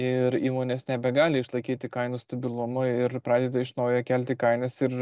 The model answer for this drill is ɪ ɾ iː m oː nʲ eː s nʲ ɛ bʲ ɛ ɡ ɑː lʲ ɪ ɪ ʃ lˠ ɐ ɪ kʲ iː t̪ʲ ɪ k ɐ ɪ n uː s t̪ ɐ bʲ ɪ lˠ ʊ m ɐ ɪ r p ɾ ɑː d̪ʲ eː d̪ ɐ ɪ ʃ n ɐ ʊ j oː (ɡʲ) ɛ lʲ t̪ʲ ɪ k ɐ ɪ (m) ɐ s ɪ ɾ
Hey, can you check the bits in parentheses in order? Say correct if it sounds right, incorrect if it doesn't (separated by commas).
incorrect, incorrect